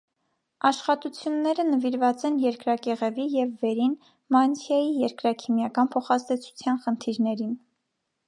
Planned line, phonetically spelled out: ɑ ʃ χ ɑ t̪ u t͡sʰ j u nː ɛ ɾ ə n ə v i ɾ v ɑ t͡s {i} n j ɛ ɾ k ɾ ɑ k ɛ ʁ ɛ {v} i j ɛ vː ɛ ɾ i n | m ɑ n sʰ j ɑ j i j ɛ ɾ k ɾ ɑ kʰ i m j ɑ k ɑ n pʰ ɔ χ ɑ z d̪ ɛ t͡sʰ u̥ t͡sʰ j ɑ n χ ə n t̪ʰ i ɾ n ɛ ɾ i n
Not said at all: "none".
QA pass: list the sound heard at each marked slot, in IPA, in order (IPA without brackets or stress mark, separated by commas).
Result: ɛ, v